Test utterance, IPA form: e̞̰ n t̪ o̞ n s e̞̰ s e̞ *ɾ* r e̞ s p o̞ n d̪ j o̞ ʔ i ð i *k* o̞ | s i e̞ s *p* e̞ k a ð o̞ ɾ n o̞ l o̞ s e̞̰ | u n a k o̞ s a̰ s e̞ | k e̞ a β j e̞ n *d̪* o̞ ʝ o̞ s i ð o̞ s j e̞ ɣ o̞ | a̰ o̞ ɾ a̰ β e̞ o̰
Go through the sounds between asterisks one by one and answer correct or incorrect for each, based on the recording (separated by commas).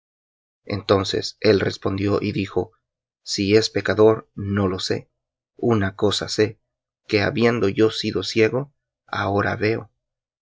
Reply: incorrect, incorrect, correct, correct